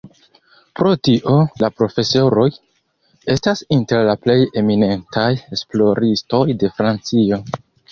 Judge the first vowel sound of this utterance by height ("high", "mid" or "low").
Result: mid